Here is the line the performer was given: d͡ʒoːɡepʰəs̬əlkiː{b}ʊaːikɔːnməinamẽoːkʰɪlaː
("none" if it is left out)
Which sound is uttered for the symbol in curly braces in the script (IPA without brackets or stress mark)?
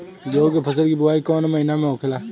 b